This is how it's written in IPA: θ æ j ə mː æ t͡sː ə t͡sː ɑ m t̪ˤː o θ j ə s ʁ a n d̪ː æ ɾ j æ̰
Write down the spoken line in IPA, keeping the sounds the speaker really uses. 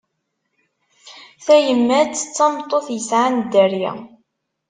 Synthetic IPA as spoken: θ æ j ə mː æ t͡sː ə t͡sː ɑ m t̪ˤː o θ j ə s ʕ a n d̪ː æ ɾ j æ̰